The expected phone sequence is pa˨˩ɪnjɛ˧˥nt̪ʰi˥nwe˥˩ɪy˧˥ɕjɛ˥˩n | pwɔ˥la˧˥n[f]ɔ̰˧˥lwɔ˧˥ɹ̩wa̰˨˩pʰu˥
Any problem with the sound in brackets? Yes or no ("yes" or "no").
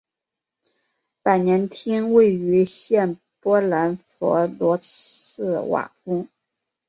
no